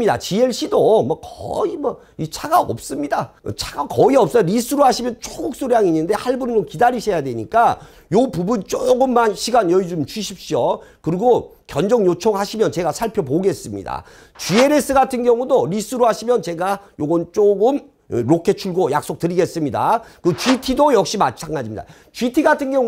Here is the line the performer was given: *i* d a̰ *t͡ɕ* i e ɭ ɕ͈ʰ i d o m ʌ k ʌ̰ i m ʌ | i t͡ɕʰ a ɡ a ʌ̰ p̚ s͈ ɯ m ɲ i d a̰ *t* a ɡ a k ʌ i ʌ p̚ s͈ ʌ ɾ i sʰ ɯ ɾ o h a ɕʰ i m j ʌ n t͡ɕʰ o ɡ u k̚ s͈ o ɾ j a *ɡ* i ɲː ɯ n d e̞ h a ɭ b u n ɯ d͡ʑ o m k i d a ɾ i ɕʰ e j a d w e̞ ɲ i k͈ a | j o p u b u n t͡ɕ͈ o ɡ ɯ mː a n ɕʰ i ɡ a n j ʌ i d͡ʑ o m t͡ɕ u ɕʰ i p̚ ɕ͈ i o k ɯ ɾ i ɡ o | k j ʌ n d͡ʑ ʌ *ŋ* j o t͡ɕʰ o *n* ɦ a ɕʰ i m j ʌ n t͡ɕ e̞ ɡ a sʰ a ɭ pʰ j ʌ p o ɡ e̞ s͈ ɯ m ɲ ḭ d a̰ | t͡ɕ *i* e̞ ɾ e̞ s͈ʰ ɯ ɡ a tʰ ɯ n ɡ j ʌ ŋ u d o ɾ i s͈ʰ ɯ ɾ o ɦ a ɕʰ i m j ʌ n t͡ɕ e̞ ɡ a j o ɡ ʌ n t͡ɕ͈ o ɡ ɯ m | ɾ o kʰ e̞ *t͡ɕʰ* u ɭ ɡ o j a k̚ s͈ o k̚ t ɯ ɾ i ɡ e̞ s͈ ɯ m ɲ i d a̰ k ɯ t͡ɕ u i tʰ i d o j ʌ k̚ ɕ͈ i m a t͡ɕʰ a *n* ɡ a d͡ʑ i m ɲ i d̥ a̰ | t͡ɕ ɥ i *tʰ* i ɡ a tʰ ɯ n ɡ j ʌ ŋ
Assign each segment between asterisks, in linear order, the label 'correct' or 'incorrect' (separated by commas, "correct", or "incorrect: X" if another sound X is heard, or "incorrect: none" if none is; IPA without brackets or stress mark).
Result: correct, correct, incorrect: t͡ɕʰ, incorrect: ŋ, correct, incorrect: ŋ, correct, correct, incorrect: ŋ, correct